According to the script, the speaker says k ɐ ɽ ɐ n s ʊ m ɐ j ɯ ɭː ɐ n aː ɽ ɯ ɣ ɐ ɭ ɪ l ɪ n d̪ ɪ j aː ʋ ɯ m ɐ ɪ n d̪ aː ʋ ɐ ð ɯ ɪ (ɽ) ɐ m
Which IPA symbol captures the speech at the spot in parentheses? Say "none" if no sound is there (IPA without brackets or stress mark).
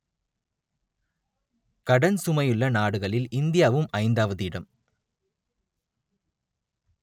ɽ